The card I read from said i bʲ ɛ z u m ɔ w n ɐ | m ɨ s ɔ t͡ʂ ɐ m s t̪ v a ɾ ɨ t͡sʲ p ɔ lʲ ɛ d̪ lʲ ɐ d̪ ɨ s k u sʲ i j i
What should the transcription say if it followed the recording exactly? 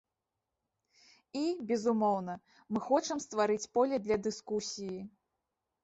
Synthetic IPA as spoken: i bʲ ɛ z u m ɔ w n ɐ | m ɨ x ɔ t͡ʂ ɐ m s t̪ v a ɾ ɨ t͡sʲ p ɔ lʲ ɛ d̪ lʲ ɐ d̪ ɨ s k u sʲ i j i